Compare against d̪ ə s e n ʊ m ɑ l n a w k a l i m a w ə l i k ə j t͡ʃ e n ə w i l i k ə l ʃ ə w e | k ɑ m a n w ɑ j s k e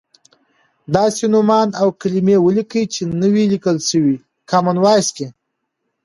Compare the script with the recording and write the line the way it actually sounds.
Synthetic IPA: d̪ ɑ s e n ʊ m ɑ n a w k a l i m e w ə l i k ə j t͡ʃ e n ə w i l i k ə l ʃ ə w i | k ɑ m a n w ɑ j s k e